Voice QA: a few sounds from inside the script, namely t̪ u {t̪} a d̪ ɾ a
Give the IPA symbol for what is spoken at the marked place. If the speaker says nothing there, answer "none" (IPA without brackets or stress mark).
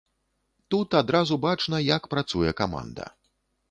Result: t̪